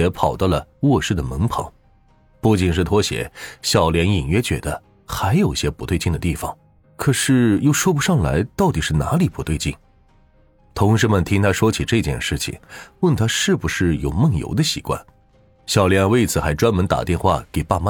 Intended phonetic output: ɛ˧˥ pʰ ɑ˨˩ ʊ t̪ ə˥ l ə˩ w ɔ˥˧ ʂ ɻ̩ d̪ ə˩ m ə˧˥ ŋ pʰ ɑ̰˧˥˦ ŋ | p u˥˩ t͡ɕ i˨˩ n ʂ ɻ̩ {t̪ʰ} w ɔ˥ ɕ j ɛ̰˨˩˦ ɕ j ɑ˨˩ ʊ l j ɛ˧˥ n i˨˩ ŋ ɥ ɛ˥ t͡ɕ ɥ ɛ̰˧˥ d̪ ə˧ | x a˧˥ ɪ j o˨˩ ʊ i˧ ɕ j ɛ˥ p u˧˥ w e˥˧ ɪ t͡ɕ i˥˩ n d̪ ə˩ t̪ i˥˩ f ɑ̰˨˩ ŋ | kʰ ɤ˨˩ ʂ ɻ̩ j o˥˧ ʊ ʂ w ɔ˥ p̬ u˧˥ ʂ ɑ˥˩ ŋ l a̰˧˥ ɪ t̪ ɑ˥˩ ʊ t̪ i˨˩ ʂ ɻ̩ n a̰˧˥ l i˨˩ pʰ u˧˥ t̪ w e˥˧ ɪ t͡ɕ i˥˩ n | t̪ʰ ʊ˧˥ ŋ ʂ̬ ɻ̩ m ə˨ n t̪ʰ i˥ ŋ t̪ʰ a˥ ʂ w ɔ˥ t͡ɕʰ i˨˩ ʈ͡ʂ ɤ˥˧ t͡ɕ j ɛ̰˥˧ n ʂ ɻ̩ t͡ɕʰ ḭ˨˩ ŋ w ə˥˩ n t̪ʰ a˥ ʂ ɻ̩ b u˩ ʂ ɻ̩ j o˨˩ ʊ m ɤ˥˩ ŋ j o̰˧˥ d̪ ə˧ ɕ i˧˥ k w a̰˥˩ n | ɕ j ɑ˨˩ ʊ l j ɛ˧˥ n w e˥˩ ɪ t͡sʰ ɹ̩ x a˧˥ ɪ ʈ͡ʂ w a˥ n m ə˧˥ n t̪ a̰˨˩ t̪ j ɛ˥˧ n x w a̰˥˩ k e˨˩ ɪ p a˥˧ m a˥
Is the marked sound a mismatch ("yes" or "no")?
no